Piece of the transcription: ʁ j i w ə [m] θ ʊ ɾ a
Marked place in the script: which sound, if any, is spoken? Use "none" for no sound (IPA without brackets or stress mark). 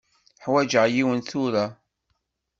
n